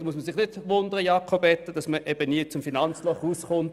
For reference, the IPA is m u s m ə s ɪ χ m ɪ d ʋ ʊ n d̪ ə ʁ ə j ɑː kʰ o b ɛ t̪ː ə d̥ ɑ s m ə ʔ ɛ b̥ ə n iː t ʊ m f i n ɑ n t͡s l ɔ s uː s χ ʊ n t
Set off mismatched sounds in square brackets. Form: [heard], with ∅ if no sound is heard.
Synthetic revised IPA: m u s m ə s ɪ χ [n] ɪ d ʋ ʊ n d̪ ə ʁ ə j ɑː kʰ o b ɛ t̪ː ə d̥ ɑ s m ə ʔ ɛ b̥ ə n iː [t͡s] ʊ m f i n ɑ n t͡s l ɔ [χ] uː s χ ʊ n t